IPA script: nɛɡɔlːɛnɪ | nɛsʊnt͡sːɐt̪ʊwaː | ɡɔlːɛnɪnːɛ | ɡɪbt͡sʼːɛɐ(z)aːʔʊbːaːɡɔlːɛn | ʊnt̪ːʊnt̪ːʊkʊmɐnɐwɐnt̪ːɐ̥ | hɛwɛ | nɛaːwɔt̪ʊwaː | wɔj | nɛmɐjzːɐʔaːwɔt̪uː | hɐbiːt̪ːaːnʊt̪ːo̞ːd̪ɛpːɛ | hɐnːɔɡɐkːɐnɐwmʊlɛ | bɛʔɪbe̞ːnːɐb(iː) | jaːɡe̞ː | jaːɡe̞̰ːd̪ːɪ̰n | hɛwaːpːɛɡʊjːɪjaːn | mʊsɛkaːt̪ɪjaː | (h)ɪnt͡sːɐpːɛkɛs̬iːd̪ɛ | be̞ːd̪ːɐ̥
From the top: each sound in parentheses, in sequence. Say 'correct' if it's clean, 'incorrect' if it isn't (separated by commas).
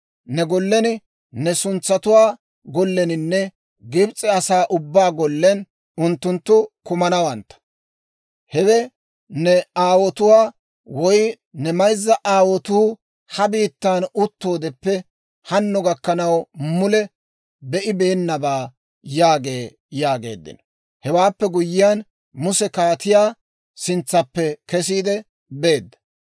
incorrect, incorrect, incorrect